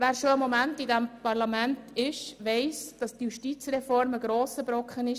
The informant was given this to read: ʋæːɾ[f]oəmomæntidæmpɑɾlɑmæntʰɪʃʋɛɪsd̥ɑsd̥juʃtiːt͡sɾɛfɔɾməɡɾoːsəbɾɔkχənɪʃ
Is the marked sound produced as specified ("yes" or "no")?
no